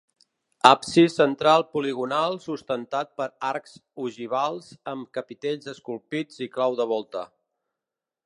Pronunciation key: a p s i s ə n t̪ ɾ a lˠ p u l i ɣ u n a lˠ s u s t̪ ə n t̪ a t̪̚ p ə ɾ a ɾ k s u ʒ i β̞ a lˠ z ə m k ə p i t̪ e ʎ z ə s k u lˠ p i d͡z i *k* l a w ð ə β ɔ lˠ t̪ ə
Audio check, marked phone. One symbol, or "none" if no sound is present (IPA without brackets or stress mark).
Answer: k